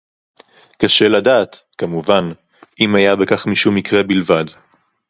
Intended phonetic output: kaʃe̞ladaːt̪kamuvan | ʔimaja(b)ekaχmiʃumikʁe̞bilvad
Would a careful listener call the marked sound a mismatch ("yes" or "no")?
no